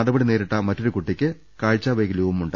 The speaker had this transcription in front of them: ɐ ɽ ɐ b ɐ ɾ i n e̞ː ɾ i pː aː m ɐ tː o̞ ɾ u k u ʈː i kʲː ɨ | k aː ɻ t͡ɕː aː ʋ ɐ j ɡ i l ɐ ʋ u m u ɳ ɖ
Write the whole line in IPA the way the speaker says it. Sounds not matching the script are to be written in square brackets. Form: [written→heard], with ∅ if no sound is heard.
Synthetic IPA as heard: ɐ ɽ ɐ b ɐ [ɾ→ɽ] i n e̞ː ɾ i [pː→ʈː] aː m ɐ tː o̞ ɾ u k u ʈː i kʲː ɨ | k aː ɻ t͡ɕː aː ʋ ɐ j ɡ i l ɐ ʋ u m u ɳ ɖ